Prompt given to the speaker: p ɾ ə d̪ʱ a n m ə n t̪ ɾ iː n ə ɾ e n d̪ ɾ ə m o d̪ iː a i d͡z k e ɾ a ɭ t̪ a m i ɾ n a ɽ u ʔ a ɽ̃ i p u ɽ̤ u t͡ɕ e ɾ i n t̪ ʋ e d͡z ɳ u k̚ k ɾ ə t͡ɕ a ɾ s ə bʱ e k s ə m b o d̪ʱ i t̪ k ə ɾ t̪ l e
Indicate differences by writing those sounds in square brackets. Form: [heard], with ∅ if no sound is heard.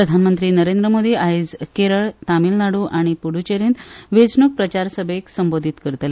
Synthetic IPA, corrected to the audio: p ɾ ə d̪ʱ a n m ə n t̪ ɾ iː n ə ɾ e n d̪ ɾ ə m o d̪ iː a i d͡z k e ɾ [ə] ɭ t̪ a m i [l] n a ɽ u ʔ a ɽ̃ i p u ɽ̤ u t͡ɕ e ɾ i n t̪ ʋ e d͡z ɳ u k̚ [p] ɾ ə t͡ɕ a ɾ s ə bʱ e k s ə m b o d̪ʱ i t̪ k ə ɾ t̪ l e